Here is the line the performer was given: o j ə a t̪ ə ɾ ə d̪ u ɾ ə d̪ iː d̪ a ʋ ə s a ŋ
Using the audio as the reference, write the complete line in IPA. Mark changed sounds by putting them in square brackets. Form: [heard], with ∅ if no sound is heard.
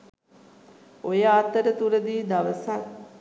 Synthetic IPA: o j ə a t̪ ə ɾ ə [t̪] u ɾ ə d̪ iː d̪ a ʋ ə s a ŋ

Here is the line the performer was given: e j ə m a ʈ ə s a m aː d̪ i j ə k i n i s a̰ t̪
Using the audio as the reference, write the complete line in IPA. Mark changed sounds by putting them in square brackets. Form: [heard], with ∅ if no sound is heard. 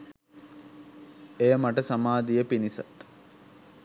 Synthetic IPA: e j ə m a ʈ ə s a m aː d̪ i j ə [p] i n i s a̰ t̪

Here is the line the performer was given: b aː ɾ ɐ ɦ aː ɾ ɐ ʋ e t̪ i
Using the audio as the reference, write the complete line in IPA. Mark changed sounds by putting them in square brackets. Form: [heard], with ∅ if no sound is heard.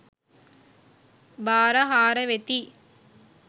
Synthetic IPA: b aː ɾ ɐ ɦ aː ɾ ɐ ʋ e t̪ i

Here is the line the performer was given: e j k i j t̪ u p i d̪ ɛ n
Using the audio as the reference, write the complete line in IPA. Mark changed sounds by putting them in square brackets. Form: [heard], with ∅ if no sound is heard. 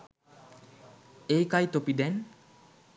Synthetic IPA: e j k [a] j t̪ [o] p i d̪ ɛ n

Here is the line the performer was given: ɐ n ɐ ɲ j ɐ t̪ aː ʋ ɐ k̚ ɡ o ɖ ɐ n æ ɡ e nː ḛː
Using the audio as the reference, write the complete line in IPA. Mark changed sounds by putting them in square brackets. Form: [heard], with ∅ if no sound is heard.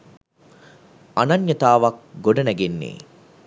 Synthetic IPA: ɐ n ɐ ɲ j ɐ t̪ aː ʋ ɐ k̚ ɡ o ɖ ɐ n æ ɡ e nː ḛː

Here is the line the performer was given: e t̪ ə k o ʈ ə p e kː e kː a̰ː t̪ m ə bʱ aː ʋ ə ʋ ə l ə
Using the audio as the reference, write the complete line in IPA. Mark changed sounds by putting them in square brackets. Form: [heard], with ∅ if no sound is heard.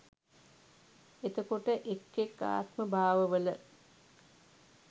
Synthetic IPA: e t̪ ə k o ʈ ə [ʔ] e kː e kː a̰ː t̪ m ə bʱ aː ʋ ə ʋ ə l ə

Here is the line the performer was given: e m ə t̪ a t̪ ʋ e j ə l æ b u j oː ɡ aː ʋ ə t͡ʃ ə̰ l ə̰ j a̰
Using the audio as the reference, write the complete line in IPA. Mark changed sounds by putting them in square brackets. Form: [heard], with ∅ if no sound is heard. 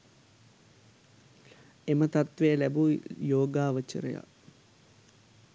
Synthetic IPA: e m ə t̪ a t̪ ʋ e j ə l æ b u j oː ɡ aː ʋ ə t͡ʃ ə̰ [ɾ] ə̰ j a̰

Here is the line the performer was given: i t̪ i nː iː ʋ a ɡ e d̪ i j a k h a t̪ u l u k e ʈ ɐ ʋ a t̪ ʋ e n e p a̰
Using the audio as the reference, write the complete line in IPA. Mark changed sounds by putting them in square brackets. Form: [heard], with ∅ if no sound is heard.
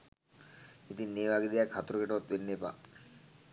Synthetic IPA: i t̪ i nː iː ʋ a ɡ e d̪ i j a k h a t̪ u [ɾ] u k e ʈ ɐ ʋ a t̪ ʋ e [nː] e p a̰

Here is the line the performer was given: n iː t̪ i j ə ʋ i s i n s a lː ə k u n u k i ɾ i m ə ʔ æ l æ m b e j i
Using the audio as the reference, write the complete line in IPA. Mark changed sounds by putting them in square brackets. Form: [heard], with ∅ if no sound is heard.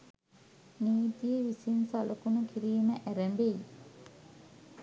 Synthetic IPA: n iː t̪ i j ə ʋ i s i n s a [l] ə k u n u k i ɾ [iː] m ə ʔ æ [ɾ] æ m b e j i

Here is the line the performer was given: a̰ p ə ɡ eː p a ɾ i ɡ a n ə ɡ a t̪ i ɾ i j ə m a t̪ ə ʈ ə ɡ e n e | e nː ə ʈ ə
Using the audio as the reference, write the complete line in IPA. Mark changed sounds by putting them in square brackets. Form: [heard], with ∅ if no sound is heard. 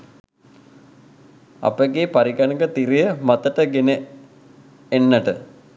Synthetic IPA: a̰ p ə ɡ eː p a ɾ i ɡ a n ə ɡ [ə] t̪ i ɾ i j ə m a t̪ ə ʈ ə ɡ e n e | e nː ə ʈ ə

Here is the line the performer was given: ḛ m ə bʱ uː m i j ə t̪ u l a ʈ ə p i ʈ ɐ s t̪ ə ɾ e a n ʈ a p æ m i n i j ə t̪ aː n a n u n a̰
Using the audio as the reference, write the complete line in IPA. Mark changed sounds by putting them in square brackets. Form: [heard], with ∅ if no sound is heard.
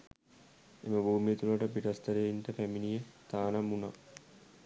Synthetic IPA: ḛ m ə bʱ uː m i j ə t̪ u l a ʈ ə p i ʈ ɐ s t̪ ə ɾ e [i] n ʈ [ə] p æ m i n i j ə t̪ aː n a [m] u n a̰

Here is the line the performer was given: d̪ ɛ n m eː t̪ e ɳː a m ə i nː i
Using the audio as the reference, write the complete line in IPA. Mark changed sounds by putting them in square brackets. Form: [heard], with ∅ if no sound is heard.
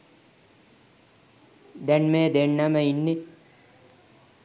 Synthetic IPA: d̪ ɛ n m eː [d̪] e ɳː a m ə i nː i

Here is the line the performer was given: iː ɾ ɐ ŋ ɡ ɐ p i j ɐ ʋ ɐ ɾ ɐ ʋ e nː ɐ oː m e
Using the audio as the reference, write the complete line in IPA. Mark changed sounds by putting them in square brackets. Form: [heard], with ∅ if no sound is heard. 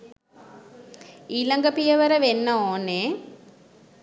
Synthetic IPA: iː [l] ɐ ŋ ɡ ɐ p i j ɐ ʋ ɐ ɾ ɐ ʋ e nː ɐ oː [n] e

